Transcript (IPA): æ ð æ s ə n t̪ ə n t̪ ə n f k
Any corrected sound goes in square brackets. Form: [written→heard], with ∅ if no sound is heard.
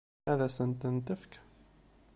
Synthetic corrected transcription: æ ð æ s ə n t̪ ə n t̪ ə [n→∅] f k